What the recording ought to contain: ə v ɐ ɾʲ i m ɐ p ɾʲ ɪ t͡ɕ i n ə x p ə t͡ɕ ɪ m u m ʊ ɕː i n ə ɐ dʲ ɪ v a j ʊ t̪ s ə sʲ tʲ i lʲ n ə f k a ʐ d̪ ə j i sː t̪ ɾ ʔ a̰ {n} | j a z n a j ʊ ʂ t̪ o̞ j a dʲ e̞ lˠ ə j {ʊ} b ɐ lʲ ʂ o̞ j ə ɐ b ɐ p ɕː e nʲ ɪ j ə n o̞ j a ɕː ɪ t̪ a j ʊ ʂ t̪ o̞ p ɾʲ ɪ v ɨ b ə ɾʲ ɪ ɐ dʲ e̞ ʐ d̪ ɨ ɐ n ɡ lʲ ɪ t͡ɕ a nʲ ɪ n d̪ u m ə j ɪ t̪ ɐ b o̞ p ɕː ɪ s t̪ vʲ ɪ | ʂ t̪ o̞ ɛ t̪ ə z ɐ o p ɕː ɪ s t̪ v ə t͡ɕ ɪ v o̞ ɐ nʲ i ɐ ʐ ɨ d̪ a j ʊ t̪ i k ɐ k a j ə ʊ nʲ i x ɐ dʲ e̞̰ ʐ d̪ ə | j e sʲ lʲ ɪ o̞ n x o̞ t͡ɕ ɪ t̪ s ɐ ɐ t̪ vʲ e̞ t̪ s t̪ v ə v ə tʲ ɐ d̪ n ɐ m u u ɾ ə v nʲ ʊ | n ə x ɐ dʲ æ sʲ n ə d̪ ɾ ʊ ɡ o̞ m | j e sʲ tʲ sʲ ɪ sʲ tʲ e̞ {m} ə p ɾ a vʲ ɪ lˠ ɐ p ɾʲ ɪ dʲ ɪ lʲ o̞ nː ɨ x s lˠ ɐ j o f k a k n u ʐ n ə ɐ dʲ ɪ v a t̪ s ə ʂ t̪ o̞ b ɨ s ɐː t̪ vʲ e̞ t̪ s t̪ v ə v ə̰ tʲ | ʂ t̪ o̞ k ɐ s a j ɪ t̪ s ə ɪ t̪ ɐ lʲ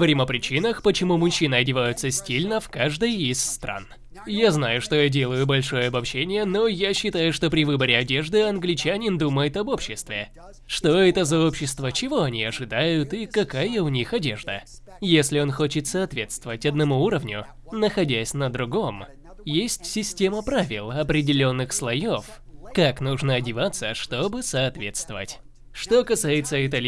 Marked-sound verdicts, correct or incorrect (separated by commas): correct, correct, correct